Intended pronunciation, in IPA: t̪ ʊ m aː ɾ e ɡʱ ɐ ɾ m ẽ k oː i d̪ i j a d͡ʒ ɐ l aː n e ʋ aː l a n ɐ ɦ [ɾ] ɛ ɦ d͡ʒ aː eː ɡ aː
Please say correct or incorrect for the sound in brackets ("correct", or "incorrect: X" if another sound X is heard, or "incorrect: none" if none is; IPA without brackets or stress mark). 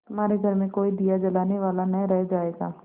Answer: correct